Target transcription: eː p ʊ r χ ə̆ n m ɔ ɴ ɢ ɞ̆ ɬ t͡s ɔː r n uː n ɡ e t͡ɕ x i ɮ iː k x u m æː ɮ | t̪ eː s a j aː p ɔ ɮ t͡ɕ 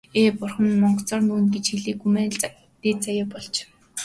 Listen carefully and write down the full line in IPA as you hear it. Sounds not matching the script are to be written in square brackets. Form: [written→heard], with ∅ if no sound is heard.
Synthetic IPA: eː p ʊ r χ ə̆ n m ɔ ɴ ɢ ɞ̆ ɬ t͡s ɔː r n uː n ɡ e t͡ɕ x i ɮ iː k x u m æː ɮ | t̪ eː [s→t͡s] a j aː p ɔ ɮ t͡ɕ